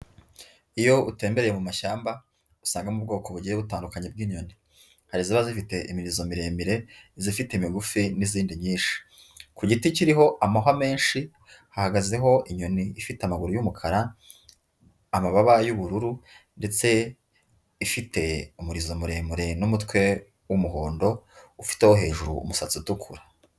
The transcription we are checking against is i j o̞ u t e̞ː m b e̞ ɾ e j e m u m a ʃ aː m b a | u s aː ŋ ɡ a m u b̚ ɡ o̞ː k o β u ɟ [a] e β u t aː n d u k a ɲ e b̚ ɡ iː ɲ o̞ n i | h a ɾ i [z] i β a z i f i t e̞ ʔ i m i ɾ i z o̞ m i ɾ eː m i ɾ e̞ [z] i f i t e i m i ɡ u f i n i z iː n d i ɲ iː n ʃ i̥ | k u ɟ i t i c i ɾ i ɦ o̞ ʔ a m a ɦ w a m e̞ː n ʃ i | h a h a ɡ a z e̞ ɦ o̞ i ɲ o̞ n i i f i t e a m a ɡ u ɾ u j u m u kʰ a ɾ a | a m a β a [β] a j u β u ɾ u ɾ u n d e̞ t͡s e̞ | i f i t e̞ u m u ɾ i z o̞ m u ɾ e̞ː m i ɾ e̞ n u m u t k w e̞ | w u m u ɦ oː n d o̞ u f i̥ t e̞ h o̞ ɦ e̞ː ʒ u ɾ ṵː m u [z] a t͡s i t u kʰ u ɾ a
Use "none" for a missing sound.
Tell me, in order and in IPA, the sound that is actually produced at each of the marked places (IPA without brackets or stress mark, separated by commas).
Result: i, z, z, β, s